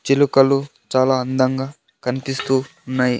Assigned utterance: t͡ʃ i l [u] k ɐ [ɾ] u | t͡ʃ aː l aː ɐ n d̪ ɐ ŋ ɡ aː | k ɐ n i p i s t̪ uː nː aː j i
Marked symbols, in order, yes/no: yes, no

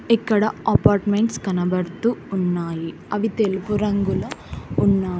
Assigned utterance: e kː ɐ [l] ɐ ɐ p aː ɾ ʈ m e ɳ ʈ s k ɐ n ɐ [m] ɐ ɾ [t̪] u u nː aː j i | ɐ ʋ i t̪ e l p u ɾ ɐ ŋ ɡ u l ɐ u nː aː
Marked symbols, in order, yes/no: no, no, yes

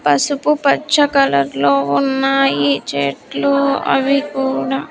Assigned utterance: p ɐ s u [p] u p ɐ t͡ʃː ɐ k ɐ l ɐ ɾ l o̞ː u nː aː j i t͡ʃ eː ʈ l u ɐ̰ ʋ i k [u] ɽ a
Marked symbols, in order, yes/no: yes, no

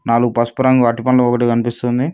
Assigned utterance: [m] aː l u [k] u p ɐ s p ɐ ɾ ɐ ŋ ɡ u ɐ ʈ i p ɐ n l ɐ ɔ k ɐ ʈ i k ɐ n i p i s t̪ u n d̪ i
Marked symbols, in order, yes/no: no, no

